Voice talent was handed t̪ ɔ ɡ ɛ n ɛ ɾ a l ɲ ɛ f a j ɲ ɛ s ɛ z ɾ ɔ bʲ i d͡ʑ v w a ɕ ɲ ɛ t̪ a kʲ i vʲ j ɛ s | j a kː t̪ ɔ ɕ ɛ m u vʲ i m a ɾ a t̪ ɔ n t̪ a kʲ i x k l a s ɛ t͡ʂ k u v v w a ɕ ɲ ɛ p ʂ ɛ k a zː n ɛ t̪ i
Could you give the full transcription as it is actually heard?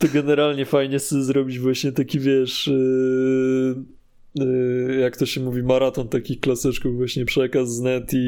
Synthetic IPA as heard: t̪ ɔ ɡ ɛ n ɛ ɾ a l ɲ ɛ f a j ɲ ɛ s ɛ z ɾ ɔ bʲ i d͡ʑ v w a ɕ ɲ ɛ t̪ a kʲ i vʲ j ɛ ʂ | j a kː t̪ ɔ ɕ ɛ m u vʲ i m a ɾ a t̪ ɔ n t̪ a kʲ i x k l a s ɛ t͡ʂ k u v v w a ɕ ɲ ɛ p ʂ ɛ k a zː n ɛ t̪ i